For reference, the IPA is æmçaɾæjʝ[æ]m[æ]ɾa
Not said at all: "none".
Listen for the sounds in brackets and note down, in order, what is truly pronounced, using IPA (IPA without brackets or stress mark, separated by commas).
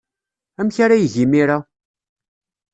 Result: i, i